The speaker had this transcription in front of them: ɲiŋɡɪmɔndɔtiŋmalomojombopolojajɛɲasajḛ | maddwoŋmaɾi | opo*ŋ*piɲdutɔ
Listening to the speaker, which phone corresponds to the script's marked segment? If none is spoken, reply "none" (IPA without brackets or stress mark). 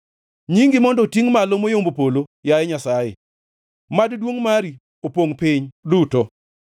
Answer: ŋ